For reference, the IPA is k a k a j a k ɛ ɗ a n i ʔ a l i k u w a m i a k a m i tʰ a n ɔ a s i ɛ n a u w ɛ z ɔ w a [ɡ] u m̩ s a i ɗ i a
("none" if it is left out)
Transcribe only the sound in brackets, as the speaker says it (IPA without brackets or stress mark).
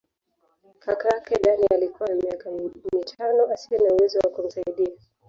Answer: k